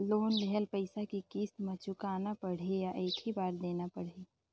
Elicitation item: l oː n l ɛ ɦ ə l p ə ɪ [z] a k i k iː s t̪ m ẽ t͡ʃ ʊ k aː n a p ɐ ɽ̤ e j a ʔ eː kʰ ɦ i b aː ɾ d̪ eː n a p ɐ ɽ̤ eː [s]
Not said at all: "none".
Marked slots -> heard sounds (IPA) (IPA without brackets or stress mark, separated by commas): s, none